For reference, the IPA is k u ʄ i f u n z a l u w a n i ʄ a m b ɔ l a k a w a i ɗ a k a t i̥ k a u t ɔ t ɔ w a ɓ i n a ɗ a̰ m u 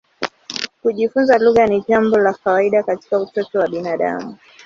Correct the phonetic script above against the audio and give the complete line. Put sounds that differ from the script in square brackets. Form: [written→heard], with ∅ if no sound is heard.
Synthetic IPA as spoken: k u ʄ i f u n z a l u [w→ɣ] a n i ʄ a m b ɔ l a k a w a i ɗ a k a t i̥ k a u t ɔ t ɔ w a ɓ i n a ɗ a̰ m u